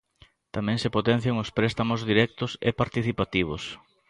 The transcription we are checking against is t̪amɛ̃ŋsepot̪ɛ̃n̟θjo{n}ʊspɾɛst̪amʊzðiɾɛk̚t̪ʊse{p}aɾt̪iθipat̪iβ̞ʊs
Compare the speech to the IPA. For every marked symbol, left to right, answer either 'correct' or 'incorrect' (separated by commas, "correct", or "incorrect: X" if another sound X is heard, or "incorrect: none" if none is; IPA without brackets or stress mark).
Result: incorrect: ŋ, correct